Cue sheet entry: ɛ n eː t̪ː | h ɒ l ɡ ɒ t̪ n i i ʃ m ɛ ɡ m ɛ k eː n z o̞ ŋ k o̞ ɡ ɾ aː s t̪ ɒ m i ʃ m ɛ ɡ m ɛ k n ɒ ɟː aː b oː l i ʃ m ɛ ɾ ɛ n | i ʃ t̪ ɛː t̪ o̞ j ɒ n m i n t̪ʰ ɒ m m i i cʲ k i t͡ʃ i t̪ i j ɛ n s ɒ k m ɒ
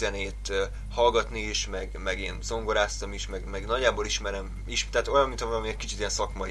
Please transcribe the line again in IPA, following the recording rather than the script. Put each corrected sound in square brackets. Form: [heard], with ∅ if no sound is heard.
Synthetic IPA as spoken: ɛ n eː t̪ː | h ɒ l ɡ ɒ t̪ n i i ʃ m ɛ ɡ m ɛ [ɡ] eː n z o̞ ŋ [ɡ] o̞ [∅] ɾ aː s t̪ ɒ m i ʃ m ɛ ɡ m ɛ [ɡ] n ɒ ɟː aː b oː l i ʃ m ɛ ɾ ɛ [m] | i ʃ t̪ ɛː t̪ o̞ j ɒ n m i n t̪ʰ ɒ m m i [ɛ] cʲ k i t͡ʃ i t̪ i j ɛ n s ɒ k m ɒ